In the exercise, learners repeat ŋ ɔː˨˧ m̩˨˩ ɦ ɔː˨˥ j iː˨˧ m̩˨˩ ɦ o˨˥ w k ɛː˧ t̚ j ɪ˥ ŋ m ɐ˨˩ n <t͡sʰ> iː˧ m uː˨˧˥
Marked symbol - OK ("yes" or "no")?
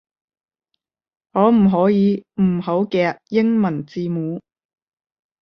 no